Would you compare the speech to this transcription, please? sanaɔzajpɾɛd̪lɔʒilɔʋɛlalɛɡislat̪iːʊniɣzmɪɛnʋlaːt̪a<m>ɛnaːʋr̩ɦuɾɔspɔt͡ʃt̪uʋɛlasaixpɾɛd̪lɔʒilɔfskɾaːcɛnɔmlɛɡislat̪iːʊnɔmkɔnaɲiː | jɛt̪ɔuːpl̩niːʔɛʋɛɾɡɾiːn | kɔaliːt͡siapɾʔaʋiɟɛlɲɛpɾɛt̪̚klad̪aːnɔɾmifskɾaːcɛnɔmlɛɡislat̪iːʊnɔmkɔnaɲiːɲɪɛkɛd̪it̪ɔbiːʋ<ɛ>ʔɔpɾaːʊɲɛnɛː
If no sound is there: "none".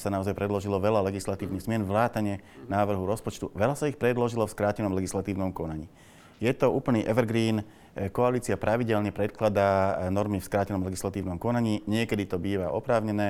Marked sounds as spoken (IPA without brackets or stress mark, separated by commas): ɲ, a